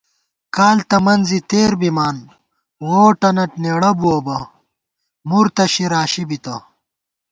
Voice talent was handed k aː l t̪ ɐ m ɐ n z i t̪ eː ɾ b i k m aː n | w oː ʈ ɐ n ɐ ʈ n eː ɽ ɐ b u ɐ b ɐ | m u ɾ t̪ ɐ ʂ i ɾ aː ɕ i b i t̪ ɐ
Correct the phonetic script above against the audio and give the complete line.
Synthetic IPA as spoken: k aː l t̪ ɐ m ɐ n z i t̪ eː ɾ b i m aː n | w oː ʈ ɐ n ɐ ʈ n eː ɽ ɐ b u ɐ b ɐ | m u ɾ t̪ ɐ ɕ i ɾ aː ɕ i b i t̪ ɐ